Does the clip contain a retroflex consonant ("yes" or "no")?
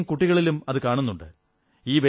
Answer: yes